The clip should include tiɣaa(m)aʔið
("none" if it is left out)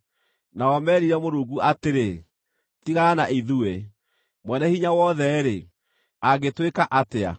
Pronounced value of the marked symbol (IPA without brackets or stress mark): n